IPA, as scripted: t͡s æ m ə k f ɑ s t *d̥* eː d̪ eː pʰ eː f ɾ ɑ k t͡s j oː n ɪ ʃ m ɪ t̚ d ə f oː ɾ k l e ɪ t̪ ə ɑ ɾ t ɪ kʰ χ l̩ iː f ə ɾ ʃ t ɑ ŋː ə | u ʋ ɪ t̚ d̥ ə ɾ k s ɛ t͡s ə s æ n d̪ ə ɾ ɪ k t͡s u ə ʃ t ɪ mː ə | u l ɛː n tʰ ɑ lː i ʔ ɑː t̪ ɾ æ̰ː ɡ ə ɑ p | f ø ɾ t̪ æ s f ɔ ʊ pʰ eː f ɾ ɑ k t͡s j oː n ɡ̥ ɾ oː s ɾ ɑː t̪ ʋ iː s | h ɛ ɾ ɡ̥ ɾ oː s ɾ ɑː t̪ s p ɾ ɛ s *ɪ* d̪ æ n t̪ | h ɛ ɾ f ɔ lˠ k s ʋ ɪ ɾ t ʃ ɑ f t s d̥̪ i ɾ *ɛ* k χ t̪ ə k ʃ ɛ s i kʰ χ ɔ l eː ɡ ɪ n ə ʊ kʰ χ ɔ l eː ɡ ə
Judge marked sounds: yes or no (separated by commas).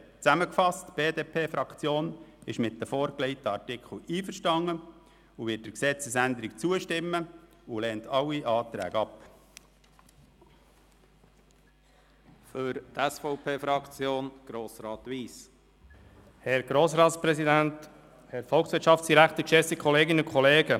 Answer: no, no, no